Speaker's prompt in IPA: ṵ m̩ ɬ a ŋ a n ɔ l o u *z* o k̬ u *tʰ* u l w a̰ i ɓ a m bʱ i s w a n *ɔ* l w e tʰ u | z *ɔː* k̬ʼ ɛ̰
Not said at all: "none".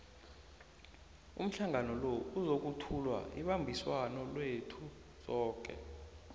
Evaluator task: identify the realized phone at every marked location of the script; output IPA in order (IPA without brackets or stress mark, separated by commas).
z, tʰ, ɔ, ɔː